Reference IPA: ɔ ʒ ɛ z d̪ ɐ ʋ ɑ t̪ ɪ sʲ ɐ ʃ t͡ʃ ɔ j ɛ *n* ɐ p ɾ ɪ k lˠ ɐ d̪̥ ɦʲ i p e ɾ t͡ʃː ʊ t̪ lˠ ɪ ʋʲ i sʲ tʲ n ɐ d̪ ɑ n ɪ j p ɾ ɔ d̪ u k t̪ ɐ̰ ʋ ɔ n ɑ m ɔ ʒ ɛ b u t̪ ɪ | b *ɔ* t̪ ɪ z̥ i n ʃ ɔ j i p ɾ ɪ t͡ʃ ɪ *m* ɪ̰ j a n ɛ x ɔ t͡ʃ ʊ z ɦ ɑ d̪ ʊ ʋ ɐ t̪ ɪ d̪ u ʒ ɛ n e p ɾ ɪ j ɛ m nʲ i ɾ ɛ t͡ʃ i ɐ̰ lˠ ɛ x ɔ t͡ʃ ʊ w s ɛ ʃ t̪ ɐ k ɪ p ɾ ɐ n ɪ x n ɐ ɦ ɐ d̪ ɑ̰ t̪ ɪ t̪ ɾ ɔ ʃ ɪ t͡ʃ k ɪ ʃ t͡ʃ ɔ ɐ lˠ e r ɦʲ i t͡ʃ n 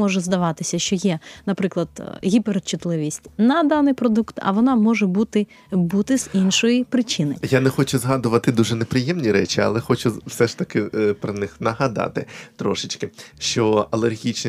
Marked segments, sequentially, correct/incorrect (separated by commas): correct, incorrect, incorrect